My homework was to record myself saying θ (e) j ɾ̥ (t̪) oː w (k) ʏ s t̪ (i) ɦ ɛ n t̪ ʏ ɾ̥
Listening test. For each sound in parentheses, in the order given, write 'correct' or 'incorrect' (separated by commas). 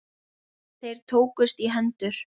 correct, incorrect, correct, correct